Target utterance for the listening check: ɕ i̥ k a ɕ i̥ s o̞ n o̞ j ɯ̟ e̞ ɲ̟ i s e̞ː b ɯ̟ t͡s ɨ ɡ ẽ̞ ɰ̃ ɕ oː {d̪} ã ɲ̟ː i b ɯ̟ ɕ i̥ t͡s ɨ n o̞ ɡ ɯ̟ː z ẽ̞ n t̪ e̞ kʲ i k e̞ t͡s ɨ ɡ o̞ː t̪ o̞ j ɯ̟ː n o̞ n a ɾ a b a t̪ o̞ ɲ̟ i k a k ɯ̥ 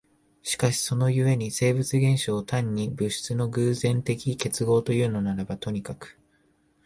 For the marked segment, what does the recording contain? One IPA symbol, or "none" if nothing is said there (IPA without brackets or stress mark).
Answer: t̪